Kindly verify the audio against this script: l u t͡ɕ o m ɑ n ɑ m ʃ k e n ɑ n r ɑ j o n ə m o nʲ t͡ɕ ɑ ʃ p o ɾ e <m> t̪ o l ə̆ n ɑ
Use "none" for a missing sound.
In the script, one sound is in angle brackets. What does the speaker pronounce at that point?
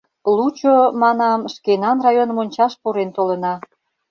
n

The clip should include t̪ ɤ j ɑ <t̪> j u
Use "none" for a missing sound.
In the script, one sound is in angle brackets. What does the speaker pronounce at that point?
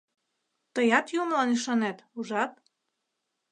t̪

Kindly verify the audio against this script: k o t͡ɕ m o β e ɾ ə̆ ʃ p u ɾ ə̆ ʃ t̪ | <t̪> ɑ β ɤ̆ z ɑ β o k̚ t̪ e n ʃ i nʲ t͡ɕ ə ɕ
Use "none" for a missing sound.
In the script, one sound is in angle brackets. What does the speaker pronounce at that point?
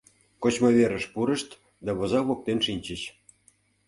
d̪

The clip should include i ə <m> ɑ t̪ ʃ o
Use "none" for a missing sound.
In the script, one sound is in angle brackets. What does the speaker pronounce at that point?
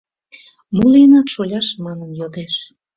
n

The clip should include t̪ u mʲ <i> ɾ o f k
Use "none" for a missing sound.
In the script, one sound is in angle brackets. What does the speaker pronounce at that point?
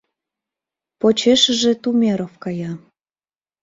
e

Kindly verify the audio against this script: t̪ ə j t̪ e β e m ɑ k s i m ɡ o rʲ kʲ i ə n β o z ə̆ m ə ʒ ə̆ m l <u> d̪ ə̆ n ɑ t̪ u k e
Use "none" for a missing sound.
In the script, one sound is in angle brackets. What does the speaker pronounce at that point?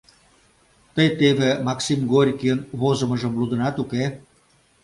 u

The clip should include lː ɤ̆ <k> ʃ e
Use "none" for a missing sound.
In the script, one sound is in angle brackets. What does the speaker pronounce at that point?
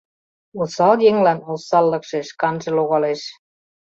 k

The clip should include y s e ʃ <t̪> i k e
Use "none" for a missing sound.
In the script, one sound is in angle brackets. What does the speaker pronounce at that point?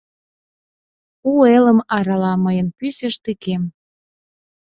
t̪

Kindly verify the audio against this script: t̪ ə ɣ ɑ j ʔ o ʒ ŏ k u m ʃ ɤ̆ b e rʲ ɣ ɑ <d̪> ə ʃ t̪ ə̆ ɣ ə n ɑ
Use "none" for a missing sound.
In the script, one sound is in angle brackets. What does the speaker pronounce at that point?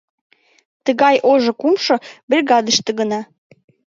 d̪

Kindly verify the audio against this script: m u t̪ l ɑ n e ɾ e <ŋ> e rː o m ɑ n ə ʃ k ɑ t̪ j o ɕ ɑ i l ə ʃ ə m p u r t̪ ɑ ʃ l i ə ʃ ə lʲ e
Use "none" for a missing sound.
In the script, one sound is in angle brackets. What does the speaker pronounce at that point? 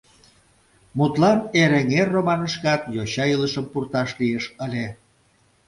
ŋ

